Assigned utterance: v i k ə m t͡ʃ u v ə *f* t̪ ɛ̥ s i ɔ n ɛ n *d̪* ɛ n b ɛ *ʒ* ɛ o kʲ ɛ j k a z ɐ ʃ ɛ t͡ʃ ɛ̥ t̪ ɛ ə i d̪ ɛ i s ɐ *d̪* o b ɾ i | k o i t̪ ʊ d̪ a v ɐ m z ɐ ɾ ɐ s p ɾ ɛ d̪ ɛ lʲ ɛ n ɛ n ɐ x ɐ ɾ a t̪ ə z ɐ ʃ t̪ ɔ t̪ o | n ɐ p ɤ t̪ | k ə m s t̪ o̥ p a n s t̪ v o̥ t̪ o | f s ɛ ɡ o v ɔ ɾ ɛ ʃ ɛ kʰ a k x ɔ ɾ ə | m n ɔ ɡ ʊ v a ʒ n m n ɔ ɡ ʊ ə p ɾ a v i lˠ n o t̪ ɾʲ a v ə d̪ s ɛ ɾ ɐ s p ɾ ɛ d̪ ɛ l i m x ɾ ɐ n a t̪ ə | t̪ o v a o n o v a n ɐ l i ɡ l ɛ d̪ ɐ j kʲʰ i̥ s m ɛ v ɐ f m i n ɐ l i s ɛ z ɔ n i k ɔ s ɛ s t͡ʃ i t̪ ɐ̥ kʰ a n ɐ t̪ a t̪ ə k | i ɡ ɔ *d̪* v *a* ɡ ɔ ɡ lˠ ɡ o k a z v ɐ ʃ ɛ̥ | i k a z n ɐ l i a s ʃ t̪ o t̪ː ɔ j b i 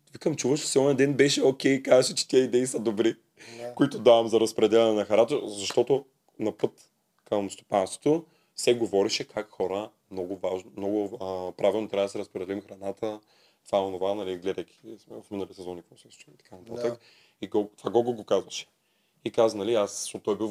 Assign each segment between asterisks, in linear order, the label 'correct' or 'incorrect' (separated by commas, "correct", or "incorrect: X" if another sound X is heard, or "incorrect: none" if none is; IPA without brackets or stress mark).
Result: incorrect: ʃ, correct, incorrect: ʃ, correct, incorrect: t̪, correct